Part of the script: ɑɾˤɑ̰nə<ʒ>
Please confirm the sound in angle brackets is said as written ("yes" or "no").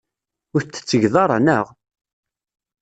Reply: no